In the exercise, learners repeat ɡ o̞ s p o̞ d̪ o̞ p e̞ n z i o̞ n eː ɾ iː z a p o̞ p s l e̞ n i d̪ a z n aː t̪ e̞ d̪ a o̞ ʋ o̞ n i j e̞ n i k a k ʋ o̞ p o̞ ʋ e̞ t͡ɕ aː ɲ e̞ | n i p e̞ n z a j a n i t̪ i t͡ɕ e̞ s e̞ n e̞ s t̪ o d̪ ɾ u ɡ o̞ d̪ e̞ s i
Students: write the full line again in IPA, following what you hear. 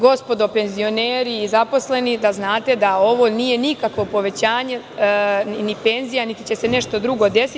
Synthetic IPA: ɡ o̞ s p o̞ d̪ o̞ p e̞ n z i o̞ n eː ɾ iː z a p o̞ s l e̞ n i d̪ a z n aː t̪ e̞ d̪ a o̞ ʋ o̞ n i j e̞ n i k a k ʋ o̞ p o̞ ʋ e̞ t͡ɕ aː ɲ e̞ | n i p e̞ n z i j a n i t̪ i t͡ɕ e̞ s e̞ n e̞ ʃ t̪ o d̪ ɾ u ɡ o̞ d̪ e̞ s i